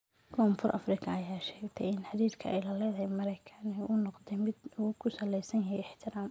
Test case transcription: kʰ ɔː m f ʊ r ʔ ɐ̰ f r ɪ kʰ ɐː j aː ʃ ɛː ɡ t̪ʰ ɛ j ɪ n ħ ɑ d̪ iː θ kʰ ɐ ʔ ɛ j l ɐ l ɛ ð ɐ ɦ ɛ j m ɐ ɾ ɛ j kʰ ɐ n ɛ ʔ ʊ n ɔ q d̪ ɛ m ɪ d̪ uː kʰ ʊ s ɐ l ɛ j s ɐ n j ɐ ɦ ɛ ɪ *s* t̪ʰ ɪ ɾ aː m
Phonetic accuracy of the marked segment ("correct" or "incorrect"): incorrect